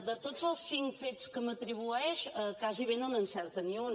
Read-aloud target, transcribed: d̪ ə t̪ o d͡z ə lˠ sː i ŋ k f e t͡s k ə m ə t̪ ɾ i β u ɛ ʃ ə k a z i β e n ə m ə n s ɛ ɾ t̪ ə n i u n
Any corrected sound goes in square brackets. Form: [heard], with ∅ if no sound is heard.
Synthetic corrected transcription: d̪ ə t̪ o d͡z ə lˠ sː i ŋ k f e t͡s k ə m ə t̪ ɾ i β u ɛ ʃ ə k a z i β e n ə [n] ə n s ɛ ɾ t̪ ə n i u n